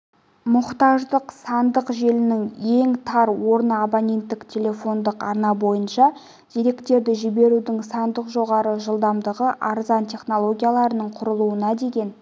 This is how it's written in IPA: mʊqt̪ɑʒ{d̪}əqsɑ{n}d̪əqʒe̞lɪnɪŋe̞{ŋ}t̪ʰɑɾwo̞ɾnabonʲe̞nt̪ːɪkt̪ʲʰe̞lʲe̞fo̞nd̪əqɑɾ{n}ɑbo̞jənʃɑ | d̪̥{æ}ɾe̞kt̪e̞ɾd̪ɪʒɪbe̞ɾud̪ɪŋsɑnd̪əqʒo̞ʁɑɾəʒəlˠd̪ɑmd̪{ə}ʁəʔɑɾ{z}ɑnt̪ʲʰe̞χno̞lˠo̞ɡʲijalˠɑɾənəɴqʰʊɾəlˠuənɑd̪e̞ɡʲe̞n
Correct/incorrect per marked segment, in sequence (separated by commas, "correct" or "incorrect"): correct, correct, correct, correct, incorrect, correct, correct